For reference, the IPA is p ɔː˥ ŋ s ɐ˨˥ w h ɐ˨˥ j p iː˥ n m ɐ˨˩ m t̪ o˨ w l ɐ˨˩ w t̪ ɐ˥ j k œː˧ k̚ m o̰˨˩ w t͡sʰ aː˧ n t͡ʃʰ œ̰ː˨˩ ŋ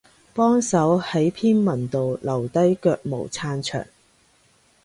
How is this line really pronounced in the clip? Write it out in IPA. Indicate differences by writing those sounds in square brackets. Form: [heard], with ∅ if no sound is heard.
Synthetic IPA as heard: p ɔː˥ ŋ s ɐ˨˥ w h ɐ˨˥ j [pʰ] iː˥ n m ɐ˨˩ [n] t̪ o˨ w l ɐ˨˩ w t̪ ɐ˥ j k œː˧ k̚ m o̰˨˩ w t͡sʰ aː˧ n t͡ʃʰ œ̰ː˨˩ ŋ